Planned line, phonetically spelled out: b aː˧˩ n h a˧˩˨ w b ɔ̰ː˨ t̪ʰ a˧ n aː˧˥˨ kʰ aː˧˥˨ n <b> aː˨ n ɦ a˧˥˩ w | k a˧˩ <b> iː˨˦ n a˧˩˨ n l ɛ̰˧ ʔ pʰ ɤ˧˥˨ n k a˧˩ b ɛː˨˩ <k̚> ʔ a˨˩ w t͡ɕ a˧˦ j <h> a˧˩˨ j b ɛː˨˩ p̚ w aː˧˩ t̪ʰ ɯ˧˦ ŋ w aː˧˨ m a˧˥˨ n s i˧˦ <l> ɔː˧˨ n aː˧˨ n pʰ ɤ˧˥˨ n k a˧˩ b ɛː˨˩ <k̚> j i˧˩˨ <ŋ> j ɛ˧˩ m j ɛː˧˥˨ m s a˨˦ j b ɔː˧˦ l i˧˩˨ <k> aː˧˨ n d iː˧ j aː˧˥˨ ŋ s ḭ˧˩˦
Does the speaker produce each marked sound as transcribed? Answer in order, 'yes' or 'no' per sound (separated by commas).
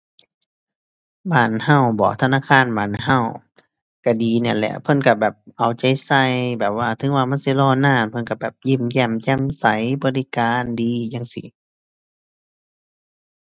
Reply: yes, no, no, no, yes, no, no, yes